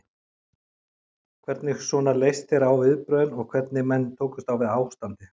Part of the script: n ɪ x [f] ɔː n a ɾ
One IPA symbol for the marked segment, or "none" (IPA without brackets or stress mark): s